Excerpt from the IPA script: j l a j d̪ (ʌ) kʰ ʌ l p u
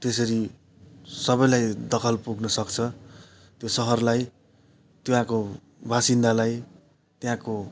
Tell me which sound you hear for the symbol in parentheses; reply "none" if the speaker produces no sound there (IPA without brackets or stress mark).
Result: ʌ